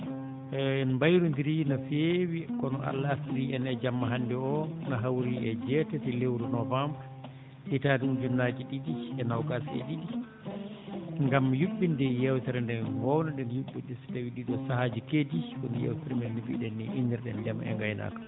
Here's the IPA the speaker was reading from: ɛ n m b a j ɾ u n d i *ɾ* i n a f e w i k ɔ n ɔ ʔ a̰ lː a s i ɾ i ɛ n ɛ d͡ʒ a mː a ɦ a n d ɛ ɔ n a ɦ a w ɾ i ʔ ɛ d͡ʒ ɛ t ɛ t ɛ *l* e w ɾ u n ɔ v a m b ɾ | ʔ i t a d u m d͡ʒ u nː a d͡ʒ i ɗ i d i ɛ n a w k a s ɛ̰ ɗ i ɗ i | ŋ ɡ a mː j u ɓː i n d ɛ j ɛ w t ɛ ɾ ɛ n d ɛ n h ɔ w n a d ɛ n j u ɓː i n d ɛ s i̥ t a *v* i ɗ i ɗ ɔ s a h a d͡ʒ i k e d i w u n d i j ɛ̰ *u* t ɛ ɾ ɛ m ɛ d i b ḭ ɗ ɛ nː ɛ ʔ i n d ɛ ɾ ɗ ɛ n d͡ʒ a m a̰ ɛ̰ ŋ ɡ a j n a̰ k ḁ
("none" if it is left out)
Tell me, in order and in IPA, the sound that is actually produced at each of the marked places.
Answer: ɾ, l, w, w

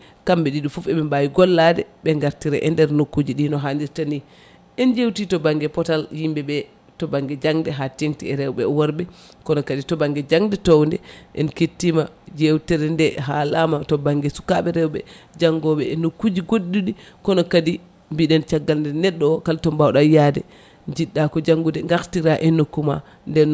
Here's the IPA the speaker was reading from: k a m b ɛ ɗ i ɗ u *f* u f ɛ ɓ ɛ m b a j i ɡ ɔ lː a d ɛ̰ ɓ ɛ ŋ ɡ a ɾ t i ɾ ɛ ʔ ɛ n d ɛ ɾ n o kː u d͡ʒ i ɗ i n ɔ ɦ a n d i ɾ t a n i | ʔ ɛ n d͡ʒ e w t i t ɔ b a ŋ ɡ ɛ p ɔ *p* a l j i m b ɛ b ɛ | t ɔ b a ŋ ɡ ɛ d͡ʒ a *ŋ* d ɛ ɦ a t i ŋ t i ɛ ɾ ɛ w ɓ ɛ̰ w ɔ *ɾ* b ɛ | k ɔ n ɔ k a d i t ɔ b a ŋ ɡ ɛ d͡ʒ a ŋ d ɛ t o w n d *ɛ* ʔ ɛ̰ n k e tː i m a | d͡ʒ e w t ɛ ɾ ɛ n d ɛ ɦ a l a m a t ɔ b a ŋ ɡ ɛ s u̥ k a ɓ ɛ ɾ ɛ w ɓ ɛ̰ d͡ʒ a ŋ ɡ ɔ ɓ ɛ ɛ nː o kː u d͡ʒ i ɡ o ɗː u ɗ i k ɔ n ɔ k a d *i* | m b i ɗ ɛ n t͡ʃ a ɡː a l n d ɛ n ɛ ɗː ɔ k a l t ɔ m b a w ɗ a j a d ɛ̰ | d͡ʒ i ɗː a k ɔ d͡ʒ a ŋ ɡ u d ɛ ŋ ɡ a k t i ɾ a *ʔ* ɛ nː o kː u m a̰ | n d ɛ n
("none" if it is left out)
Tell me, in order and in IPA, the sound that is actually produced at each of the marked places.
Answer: f, t, ŋ, ɾ, ɛ, i, ʔ

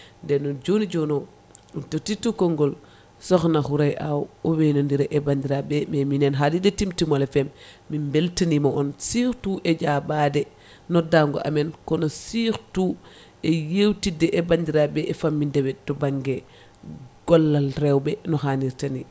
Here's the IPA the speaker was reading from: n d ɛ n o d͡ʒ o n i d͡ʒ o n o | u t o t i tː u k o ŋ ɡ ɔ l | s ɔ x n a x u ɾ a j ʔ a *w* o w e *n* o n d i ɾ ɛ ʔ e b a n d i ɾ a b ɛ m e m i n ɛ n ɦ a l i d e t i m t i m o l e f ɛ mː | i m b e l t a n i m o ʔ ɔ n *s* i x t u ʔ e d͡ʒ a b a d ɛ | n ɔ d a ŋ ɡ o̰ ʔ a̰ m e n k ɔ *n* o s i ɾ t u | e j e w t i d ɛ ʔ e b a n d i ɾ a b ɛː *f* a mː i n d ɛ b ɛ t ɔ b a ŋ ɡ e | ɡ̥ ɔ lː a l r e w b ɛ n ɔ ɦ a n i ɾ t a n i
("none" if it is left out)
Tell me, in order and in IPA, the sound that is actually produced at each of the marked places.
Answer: w, n, s, n, f

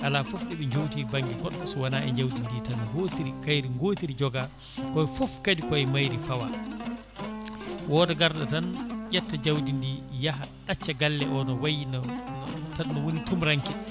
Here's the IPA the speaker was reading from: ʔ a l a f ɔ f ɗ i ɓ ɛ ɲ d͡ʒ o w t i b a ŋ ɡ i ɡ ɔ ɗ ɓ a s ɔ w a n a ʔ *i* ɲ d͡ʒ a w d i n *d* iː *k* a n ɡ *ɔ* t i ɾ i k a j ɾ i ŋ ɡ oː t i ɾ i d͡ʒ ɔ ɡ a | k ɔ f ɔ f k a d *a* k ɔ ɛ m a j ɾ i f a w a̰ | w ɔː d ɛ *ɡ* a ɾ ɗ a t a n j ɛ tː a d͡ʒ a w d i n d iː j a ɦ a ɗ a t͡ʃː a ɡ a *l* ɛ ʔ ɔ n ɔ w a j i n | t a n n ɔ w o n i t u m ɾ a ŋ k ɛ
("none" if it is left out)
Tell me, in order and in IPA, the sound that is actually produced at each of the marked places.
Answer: ɛ, d, t, o, i, ɡ, lː

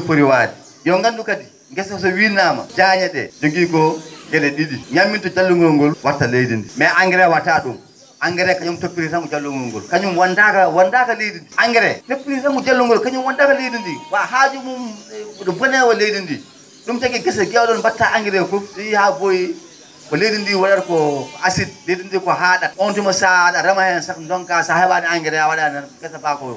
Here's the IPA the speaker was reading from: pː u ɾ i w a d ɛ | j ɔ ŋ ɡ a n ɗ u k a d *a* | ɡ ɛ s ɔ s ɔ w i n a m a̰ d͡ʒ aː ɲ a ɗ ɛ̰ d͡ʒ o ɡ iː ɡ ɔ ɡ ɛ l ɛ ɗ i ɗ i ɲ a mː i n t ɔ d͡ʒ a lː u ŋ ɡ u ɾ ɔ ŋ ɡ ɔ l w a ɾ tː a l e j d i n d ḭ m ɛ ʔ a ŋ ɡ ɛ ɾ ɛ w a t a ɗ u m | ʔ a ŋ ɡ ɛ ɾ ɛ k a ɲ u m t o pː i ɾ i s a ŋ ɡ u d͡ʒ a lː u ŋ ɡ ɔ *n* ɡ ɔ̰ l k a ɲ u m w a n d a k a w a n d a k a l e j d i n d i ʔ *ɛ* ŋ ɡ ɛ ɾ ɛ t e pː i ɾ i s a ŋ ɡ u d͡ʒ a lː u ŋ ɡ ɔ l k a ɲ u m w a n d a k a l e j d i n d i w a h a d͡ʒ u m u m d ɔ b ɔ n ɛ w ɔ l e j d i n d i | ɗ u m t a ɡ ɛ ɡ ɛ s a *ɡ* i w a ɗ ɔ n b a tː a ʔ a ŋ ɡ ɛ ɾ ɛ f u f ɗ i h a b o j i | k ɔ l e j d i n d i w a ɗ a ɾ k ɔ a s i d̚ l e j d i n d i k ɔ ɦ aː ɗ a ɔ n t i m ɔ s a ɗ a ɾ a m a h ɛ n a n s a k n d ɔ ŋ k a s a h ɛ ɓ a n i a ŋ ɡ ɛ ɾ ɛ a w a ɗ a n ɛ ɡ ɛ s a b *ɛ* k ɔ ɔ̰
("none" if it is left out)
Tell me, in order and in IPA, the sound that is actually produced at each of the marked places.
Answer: i, ŋ, a, ɡ, a

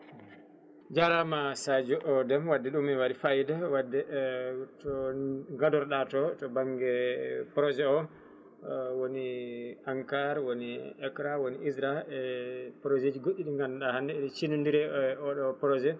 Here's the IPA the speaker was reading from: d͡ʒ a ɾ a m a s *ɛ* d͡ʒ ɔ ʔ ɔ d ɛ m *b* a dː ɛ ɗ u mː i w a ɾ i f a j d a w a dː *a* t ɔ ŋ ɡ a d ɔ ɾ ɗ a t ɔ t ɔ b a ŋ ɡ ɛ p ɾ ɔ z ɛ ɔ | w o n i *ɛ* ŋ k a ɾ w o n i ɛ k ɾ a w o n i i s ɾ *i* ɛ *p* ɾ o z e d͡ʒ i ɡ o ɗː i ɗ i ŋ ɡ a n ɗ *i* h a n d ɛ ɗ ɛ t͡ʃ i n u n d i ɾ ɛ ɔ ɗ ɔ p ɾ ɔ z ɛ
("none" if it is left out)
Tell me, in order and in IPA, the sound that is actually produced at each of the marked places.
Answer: a, w, ɛ, a, a, p, a

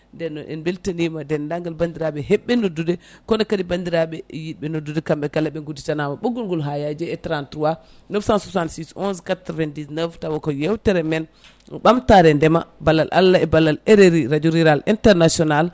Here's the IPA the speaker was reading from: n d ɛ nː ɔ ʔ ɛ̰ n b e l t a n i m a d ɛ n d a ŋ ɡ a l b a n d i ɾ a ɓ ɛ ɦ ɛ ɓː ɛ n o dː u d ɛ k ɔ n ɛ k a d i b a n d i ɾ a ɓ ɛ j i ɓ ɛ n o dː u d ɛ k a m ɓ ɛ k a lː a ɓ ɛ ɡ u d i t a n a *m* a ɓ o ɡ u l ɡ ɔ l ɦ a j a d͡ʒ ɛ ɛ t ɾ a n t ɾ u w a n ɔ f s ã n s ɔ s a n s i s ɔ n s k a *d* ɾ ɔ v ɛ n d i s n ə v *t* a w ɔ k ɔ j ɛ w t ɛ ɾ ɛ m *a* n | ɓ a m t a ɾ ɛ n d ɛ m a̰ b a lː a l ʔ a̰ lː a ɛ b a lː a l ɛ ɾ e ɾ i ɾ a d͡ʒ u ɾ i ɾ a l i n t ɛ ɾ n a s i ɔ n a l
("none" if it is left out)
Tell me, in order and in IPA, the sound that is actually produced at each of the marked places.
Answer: m, t, t, ɛ

